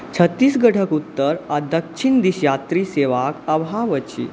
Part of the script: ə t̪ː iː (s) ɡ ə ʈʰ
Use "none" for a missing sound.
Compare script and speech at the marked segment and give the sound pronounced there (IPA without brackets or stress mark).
s